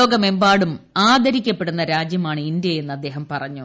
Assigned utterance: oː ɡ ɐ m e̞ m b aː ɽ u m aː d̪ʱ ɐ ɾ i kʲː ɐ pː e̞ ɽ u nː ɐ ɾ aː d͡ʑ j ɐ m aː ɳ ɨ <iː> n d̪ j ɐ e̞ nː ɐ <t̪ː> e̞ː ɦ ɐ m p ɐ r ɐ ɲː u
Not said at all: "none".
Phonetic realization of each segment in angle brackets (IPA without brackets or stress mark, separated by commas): i, d̪ː